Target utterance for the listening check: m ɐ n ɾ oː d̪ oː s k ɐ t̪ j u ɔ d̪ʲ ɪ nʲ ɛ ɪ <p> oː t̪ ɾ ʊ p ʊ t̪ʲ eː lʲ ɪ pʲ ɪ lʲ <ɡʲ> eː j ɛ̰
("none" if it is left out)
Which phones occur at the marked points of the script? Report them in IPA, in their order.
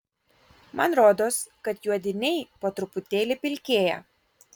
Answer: p, kʲ

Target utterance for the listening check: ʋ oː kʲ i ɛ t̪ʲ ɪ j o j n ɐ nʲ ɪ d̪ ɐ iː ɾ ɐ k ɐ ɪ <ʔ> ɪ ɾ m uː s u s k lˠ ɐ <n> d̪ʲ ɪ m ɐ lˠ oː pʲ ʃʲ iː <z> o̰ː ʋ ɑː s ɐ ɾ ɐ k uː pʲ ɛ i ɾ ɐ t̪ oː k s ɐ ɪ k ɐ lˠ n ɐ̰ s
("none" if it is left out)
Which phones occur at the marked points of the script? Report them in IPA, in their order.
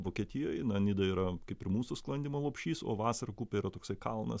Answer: p, n, s

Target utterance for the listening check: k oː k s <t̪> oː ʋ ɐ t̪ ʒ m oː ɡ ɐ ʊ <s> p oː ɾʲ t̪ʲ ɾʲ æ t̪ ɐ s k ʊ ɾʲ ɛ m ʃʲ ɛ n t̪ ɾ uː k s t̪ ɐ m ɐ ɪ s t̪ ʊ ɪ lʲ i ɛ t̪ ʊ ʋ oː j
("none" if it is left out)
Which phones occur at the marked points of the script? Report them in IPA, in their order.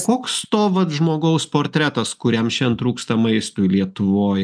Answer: t̪, s

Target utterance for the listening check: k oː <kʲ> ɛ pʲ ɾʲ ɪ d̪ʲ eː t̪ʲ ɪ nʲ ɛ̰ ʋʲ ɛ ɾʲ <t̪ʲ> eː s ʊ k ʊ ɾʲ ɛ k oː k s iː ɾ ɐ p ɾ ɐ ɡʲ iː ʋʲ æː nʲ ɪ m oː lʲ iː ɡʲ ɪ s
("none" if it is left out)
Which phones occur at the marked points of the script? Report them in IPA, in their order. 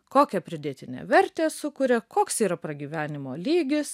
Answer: kʲ, t̪ʲ

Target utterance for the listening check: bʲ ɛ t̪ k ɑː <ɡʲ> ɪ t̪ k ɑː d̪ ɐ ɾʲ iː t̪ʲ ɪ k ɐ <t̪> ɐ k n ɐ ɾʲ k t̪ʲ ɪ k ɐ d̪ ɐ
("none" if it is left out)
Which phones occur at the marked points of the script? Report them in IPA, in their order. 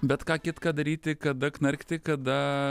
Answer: kʲ, d̪

